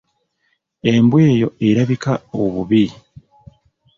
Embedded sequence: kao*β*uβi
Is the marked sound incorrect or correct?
correct